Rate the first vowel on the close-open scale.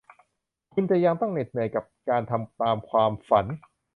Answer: close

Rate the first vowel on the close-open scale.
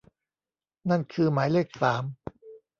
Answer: open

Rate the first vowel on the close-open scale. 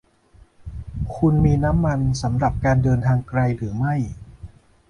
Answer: close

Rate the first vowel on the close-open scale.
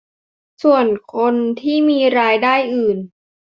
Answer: close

